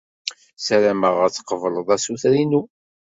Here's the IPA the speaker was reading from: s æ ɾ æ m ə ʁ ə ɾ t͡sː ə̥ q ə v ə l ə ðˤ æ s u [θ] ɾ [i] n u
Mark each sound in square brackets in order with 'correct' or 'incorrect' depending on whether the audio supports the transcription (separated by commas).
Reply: correct, correct